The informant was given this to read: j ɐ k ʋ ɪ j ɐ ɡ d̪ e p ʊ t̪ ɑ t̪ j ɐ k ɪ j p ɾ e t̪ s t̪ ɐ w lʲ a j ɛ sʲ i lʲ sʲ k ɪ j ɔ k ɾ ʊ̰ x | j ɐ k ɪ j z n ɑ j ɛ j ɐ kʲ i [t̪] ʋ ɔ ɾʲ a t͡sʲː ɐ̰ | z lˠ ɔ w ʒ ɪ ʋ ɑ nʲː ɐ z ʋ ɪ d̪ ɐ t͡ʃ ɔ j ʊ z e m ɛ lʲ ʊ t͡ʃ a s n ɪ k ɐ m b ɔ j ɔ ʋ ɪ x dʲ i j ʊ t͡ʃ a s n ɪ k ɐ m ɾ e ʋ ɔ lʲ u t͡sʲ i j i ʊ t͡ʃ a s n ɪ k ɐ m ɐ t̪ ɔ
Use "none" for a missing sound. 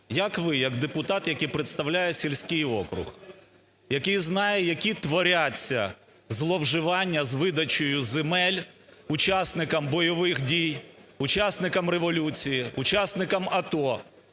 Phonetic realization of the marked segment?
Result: t̪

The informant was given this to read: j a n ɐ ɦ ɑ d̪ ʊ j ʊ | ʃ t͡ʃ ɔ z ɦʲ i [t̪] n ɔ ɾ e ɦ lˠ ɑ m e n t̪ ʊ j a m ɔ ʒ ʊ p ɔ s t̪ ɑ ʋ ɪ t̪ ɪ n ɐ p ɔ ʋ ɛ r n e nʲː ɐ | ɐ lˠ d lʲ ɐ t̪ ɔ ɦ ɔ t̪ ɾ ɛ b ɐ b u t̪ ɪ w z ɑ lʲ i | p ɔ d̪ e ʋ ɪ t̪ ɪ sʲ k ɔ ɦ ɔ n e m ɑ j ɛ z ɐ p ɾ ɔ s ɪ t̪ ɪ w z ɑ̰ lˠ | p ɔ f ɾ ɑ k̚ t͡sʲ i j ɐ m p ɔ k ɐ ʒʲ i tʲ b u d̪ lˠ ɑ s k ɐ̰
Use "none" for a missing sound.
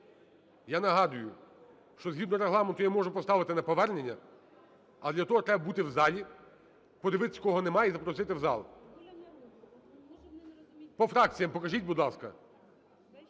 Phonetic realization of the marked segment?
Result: d̪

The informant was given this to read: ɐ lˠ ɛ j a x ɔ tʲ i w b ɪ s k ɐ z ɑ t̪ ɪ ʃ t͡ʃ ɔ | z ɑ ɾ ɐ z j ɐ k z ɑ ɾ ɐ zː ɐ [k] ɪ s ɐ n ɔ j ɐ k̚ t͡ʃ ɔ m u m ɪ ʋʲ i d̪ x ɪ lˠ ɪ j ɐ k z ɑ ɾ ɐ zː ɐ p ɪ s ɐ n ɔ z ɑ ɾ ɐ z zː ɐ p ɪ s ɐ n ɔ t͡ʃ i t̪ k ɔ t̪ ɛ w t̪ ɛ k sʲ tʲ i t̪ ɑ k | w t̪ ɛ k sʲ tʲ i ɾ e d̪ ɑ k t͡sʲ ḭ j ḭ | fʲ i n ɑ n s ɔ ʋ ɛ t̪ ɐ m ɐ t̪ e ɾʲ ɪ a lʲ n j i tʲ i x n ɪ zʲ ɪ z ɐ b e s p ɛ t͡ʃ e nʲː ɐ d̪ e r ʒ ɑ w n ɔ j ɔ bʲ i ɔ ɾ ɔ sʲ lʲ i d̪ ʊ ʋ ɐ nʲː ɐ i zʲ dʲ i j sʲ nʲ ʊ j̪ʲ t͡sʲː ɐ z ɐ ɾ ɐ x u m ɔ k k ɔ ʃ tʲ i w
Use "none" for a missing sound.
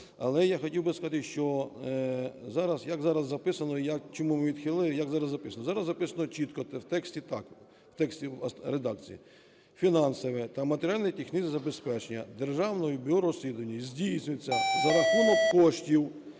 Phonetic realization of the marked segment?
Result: p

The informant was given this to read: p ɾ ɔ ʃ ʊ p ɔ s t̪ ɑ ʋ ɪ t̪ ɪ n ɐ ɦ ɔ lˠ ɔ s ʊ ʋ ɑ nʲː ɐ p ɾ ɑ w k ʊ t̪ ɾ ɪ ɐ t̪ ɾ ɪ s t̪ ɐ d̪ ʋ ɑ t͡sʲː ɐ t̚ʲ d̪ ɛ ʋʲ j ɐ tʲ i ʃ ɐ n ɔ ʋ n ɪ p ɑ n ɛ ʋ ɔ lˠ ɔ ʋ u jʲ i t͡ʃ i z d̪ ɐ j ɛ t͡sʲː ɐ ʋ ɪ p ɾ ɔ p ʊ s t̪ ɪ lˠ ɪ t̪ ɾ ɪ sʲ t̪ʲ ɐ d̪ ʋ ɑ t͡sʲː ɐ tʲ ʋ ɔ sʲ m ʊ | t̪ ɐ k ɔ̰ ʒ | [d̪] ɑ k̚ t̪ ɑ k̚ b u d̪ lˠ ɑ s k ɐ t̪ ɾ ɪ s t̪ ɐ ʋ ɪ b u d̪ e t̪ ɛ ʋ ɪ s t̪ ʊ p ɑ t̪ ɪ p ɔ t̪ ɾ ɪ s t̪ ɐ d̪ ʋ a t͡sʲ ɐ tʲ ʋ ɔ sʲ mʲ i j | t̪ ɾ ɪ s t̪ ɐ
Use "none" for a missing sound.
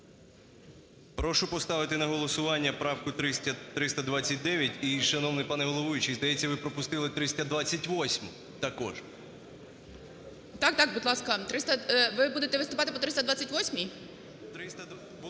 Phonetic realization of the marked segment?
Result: t̪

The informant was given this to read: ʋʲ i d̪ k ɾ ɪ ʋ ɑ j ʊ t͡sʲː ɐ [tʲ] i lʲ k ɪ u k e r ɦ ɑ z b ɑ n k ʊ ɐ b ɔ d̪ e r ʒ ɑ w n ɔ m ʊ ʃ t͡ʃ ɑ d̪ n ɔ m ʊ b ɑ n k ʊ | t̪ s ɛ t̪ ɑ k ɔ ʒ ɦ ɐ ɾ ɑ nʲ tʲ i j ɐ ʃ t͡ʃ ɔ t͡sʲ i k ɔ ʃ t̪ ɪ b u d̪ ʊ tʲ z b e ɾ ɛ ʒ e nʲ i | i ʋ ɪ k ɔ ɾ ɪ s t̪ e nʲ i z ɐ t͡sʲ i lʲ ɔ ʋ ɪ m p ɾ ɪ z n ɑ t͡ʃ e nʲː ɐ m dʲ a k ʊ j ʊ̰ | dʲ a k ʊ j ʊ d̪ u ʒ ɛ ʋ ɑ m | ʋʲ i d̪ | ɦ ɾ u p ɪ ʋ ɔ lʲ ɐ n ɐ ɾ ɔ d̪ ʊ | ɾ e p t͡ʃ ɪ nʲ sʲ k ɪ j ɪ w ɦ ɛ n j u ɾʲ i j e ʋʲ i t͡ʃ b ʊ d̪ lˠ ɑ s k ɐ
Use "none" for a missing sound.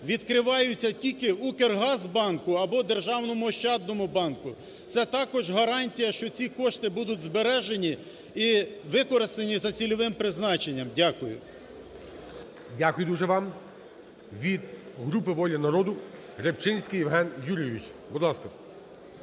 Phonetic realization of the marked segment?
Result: tʲ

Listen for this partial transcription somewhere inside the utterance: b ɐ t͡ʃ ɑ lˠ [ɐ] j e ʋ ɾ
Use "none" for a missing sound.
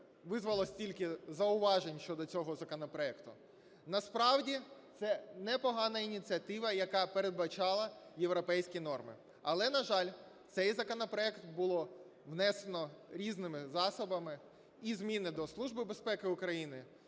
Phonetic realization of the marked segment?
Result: ɐ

